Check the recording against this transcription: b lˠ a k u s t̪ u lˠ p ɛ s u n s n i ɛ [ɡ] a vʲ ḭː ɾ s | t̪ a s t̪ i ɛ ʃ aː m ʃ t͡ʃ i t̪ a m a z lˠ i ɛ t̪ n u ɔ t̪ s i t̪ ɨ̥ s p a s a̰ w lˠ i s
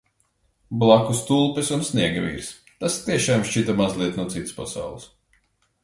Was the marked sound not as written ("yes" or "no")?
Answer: no